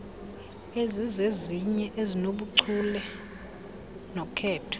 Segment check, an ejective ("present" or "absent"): absent